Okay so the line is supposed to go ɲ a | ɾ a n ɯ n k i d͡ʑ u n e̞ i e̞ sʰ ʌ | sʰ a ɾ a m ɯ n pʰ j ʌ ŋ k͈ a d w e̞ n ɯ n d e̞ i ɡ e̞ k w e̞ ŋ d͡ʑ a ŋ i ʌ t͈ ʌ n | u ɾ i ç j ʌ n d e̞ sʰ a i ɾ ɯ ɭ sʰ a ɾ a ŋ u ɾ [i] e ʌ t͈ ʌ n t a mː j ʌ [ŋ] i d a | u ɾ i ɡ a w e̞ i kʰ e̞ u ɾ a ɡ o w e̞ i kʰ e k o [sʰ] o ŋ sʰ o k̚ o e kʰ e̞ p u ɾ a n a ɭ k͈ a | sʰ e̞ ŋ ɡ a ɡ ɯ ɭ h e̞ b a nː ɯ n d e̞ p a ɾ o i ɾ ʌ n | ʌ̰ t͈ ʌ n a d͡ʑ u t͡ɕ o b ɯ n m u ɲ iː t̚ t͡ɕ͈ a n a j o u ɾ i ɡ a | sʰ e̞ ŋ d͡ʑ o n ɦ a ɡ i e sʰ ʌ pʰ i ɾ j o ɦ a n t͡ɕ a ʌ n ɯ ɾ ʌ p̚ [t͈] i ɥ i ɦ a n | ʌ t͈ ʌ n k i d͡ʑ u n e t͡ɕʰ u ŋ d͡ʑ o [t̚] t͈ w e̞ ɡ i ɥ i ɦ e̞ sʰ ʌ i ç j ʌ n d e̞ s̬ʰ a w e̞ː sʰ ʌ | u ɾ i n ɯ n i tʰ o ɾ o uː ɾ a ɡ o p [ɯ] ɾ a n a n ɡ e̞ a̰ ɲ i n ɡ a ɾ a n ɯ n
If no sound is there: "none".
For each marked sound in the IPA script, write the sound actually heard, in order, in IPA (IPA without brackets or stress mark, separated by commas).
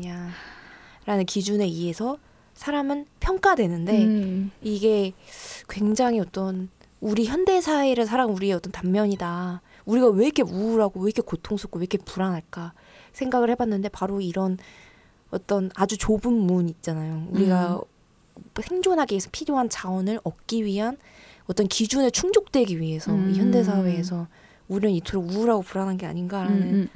i, ɲ, tʰ, k͈, k̚, u